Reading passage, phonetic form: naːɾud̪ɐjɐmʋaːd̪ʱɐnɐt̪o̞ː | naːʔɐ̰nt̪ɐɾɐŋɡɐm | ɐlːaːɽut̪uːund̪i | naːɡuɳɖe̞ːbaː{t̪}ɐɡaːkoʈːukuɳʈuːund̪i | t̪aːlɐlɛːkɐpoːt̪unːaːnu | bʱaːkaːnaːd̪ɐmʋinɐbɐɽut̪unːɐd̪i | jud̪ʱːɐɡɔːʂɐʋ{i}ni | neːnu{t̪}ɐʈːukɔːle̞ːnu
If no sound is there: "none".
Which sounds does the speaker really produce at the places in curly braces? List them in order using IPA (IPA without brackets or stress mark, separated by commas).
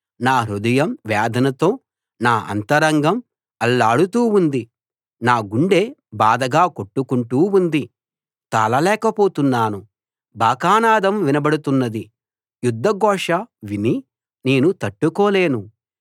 d̪, i, t̪